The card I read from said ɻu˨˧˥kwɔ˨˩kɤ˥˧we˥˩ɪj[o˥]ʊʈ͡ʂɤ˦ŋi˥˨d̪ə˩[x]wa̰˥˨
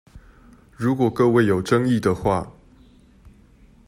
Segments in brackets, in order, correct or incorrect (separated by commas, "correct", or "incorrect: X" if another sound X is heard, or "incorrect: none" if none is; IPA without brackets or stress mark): incorrect: o˨˩, correct